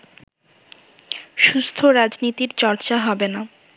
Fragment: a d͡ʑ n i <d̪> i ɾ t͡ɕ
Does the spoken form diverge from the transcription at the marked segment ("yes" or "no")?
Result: yes